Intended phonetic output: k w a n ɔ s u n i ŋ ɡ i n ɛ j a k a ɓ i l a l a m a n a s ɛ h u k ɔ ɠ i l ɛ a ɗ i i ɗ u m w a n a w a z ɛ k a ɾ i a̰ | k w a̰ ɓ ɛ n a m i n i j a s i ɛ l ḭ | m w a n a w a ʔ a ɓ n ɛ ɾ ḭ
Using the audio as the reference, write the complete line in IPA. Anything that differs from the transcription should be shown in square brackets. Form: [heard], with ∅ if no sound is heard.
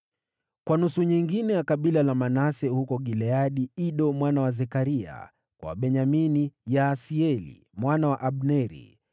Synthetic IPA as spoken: k w a n [u] s u [ɲ] i ŋ ɡ i n ɛ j a k a ɓ i l a l a m a n a s ɛ h u k ɔ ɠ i l ɛ a ɗ i i ɗ [ɔ] m w a n a w a z ɛ k a ɾ i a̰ | k w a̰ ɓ ɛ [ɲ] a m i n i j a s i ɛ l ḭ | m w a n a w a ʔ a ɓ n ɛ ɾ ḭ